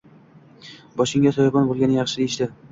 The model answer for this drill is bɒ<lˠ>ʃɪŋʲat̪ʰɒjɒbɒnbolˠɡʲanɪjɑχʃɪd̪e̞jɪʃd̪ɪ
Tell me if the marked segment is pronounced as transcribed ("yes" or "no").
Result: no